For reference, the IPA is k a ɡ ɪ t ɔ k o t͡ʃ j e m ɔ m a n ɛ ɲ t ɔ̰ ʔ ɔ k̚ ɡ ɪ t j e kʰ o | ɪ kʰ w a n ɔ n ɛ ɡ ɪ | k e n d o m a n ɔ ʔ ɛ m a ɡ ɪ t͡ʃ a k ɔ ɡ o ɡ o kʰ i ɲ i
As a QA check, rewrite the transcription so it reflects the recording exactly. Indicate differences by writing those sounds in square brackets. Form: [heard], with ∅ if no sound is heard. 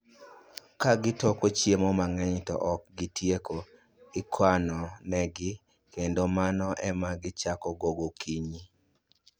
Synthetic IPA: k a ɡ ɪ t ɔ k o t͡ʃ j e m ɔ m a [ŋ] ɛ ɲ t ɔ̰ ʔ ɔ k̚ ɡ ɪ t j e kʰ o | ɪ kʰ w a n ɔ n ɛ ɡ ɪ | k e n d o m a n ɔ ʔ ɛ m a ɡ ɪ t͡ʃ a k ɔ ɡ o ɡ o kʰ i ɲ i